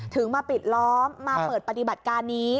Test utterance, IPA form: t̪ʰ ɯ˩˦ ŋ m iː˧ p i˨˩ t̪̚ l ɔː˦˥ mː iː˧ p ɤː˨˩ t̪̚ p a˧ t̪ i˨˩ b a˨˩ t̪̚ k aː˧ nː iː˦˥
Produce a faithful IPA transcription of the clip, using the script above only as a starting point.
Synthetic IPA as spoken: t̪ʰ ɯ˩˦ ŋ m aː˧ p i˨˩ t̪̚ l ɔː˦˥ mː aː˧ p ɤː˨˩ t̪̚ p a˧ t̪ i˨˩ b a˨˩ t̪̚ k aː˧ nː iː˦˥